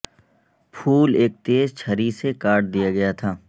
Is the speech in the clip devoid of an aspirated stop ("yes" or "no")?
no